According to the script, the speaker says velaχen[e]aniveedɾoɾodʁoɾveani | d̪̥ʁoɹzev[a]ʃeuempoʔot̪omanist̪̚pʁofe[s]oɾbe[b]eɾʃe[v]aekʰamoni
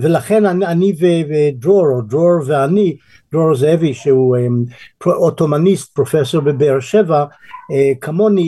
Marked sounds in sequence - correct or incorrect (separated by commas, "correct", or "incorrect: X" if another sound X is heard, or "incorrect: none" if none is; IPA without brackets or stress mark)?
incorrect: a, incorrect: i, correct, correct, correct